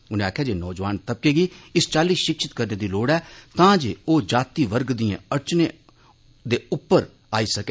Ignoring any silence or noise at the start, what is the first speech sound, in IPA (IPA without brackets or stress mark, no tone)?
ʊ